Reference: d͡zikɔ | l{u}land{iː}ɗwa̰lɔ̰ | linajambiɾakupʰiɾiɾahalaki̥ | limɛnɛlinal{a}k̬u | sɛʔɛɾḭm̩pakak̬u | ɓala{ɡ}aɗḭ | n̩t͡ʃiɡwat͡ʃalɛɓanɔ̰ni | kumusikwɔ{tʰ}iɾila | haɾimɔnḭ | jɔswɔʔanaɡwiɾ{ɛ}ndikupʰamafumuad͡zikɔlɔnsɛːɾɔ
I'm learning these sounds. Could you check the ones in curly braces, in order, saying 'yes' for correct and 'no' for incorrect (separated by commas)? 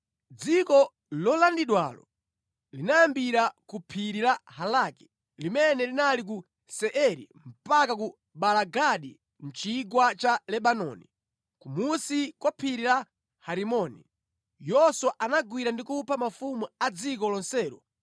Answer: no, no, no, yes, no, no